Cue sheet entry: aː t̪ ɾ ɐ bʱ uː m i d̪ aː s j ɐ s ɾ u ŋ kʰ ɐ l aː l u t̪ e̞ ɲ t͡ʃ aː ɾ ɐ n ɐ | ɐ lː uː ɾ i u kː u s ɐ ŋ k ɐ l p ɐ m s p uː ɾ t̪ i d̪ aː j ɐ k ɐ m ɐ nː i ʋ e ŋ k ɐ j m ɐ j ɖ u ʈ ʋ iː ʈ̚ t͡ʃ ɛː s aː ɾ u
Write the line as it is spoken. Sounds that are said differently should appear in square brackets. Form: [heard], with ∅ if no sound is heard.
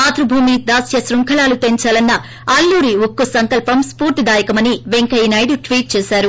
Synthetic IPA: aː t̪ ɾ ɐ bʱ uː m i d̪ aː s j ɐ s ɾ u ŋ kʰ ɐ l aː l u t̪ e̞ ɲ t͡ʃ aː [l] ɐ [nː] ɐ | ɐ lː uː ɾ i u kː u s ɐ ŋ k ɐ l p ɐ m s p uː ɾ t̪ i d̪ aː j ɐ k ɐ m ɐ [n] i ʋ e ŋ k ɐ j [n] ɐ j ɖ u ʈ ʋ iː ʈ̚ t͡ʃ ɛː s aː ɾ u